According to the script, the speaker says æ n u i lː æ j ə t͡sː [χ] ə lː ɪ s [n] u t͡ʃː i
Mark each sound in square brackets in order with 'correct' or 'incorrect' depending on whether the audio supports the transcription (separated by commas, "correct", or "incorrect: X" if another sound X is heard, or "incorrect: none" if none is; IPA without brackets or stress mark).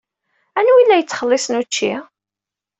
correct, correct